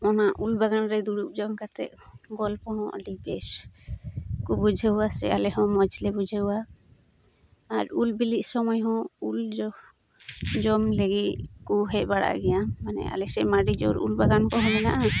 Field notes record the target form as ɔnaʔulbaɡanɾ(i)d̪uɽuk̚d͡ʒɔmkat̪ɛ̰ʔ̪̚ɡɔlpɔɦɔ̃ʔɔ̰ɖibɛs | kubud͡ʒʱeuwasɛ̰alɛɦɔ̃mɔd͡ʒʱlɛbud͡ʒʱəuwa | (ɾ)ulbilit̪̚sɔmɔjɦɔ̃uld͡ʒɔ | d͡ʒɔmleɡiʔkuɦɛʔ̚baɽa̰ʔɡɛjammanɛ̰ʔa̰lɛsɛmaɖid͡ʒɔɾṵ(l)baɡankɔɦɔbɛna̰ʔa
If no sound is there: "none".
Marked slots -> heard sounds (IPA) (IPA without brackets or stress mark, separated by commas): ɛ, ɾ, l